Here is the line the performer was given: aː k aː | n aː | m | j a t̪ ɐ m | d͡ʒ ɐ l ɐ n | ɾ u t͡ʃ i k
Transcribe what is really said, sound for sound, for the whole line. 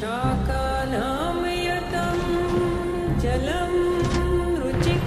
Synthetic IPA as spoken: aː k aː | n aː | m | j ɐ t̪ ɐ m | d͡ʒ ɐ l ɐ m | ɾ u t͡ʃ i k